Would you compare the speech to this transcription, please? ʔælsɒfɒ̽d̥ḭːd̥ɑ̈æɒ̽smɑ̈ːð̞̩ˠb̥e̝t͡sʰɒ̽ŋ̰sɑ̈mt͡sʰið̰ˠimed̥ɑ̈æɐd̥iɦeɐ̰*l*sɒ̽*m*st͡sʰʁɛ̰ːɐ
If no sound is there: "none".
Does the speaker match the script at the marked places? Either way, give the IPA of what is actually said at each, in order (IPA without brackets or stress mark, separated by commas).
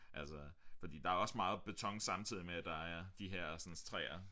none, n